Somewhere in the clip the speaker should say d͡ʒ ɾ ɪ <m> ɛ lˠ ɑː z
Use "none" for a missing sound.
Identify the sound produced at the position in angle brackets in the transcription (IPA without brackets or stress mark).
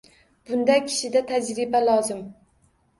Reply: b